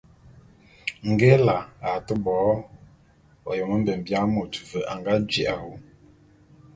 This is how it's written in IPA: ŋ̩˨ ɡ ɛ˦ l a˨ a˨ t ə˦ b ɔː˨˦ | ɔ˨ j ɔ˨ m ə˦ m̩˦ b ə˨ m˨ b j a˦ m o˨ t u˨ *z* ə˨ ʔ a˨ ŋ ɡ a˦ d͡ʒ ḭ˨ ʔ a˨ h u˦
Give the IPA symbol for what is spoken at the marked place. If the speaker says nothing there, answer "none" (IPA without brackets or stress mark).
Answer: v